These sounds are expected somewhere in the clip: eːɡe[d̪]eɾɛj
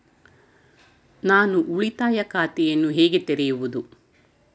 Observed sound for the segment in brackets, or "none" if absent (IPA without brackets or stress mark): t̪